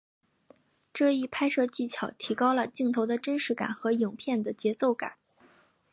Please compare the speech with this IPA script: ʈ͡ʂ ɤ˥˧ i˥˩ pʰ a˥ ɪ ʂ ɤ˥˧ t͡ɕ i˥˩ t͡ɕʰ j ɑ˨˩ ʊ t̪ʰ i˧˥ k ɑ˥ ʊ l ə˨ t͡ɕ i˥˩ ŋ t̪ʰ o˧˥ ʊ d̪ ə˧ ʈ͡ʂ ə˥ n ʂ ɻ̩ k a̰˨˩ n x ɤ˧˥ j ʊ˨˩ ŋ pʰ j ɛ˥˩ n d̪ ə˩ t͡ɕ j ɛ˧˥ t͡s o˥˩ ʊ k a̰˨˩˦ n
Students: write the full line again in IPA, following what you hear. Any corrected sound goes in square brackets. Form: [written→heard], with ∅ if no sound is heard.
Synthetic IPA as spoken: ʈ͡ʂ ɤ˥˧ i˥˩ pʰ a˥ ɪ ʂ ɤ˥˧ t͡ɕ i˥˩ t͡ɕʰ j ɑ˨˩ ʊ t̪ʰ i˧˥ k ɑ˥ ʊ l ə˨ t͡ɕ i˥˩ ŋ t̪ʰ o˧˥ ʊ d̪ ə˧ ʈ͡ʂ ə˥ n ʂ ɻ̩ k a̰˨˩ n x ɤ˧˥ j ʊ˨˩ ŋ pʰ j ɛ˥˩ n d̪ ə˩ t͡ɕ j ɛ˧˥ t͡s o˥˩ ʊ k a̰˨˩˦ n